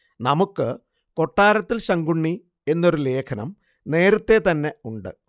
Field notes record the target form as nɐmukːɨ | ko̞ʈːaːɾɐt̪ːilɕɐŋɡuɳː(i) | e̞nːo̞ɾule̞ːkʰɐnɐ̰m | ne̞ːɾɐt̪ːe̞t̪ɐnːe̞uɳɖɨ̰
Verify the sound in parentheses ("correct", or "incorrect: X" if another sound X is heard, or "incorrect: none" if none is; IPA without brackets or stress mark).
correct